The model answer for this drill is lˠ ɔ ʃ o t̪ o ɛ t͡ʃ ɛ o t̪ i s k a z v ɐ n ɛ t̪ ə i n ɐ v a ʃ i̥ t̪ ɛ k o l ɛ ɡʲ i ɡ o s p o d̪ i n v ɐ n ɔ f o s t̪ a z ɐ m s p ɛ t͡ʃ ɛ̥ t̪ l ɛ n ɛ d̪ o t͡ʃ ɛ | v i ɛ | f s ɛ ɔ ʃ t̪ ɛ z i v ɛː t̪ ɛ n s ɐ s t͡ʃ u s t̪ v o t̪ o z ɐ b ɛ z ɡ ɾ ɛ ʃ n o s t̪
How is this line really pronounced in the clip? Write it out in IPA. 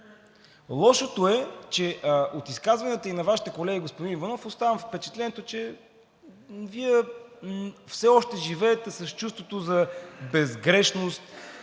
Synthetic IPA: lˠ ɔ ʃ o t̪ o ɛ t͡ʃ ɛ o t̪ i s k a z v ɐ n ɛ t̪ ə i n ɐ v a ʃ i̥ t̪ ɛ k o l ɛ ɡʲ i ɡ o s p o d̪ i n v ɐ n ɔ f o s t̪ a v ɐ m f p ɛ t͡ʃ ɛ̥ t̪ l ɛ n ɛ t̪ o t͡ʃ ɛ | v i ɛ | f s ɛ ɔ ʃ t̪ ɛ ʒ i v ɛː t̪ ɛ s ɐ s t͡ʃ u s t̪ v o t̪ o z ɐ b ɛ z ɡ ɾ ɛ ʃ n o s t̪